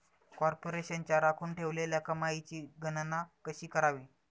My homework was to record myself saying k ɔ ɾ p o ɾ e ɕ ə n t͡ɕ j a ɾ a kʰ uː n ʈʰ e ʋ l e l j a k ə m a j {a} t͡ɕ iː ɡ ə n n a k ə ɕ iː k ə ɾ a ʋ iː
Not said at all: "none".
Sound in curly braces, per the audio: i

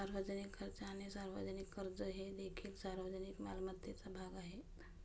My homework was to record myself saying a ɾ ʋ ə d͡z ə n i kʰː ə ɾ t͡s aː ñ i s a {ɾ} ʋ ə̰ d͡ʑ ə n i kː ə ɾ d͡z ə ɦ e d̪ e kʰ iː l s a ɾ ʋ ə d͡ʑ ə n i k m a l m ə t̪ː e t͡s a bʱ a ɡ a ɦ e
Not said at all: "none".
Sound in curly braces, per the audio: ɾ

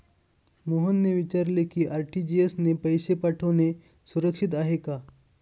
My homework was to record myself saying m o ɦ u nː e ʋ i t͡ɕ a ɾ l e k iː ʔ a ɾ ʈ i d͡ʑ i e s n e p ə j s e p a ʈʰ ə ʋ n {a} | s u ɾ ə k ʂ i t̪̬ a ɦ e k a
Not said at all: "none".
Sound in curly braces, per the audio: e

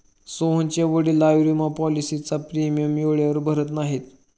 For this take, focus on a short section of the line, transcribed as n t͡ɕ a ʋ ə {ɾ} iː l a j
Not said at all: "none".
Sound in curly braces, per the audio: ɽ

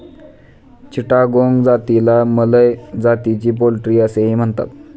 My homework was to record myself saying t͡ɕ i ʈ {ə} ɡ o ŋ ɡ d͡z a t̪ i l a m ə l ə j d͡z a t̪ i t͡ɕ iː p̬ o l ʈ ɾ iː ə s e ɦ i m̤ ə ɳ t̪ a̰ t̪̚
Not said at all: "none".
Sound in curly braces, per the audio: a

